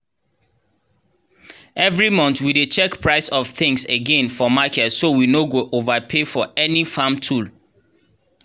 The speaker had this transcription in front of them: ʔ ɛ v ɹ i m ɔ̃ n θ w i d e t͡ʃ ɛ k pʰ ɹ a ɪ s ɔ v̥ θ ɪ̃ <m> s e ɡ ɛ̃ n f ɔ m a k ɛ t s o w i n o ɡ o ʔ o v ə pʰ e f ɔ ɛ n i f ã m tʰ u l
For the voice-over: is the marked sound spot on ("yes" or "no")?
no